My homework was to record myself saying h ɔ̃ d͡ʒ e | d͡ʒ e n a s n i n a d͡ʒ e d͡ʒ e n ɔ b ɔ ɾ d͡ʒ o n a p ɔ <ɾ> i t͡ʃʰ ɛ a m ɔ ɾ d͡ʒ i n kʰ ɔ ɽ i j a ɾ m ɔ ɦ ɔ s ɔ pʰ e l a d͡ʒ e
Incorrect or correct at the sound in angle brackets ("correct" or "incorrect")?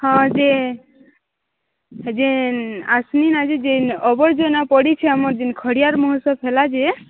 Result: incorrect